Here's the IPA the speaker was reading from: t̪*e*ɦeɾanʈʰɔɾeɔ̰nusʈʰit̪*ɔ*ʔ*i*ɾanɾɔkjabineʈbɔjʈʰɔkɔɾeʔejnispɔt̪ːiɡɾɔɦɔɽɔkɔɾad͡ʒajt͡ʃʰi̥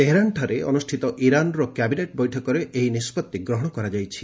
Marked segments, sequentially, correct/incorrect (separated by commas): correct, correct, correct